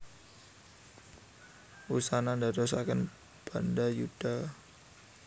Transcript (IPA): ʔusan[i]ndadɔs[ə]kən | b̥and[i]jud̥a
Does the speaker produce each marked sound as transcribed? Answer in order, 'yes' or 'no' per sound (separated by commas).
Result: no, no, no